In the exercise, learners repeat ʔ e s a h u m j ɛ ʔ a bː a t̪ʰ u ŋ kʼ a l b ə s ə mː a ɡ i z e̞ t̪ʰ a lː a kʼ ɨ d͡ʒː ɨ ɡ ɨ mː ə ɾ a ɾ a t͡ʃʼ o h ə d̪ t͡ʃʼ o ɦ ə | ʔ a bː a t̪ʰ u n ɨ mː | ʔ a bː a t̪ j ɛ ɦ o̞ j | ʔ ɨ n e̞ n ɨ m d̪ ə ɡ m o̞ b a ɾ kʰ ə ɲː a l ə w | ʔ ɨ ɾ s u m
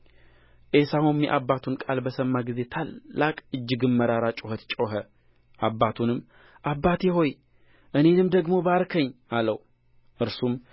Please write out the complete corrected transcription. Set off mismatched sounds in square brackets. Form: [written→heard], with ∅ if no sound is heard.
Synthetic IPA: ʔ e s a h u m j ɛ ʔ a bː a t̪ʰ u [ŋ→n] kʼ a l b ə s ə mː a ɡ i z e̞ t̪ʰ a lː a kʼ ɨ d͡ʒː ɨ ɡ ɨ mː ə ɾ a ɾ a t͡ʃʼ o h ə [d̪→t̪] t͡ʃʼ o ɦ ə | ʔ a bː a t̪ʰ u n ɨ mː | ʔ a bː a t̪ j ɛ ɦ o̞ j | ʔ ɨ n e̞ n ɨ m d̪ ə ɡ m o̞ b a ɾ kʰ ə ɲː a l ə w | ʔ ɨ ɾ s u m